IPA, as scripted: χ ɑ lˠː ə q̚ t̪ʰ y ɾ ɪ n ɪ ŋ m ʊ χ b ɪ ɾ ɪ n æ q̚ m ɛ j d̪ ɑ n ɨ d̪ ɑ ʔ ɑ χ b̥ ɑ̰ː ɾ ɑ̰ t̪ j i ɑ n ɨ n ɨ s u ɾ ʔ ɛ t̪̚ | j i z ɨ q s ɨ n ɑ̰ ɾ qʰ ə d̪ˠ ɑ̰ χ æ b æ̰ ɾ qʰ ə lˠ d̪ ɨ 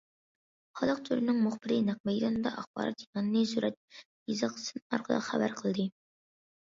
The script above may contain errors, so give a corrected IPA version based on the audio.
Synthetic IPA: χ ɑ lˠ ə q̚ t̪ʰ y ɾ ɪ n ɪ ŋ m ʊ χ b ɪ ɾ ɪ n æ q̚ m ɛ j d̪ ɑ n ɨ d̪ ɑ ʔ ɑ χ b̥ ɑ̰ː ɾ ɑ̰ t̪ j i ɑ n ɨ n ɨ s u ɾ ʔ ɛ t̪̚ | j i z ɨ q s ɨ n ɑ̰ ɾ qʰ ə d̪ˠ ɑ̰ χ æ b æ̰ ɾ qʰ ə lˠ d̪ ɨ